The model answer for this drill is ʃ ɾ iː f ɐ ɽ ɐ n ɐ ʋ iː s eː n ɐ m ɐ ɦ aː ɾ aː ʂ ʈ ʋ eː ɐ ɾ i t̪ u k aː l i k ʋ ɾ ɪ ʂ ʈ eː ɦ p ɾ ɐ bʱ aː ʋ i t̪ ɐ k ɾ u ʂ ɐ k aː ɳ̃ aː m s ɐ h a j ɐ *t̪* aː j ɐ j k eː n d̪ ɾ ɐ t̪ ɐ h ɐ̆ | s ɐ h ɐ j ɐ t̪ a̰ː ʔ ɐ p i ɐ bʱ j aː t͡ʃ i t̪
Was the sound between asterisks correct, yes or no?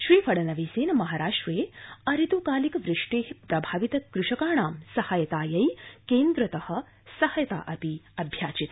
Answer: yes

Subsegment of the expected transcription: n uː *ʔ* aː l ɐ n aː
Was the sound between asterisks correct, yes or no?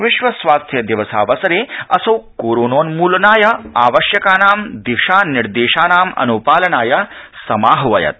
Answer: no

